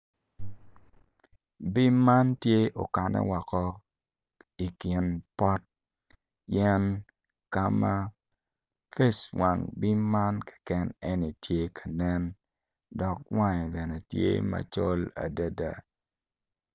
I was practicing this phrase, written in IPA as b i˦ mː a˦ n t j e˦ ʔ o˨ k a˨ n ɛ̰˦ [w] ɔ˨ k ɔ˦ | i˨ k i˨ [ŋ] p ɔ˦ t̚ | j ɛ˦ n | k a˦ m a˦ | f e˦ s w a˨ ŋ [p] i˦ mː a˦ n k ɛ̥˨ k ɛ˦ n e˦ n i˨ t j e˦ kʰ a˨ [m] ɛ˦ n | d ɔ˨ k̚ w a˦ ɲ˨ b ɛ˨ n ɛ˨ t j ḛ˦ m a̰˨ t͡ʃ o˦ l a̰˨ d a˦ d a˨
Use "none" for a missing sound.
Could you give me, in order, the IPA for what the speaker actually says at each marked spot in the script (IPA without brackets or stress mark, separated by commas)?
w, n, b, n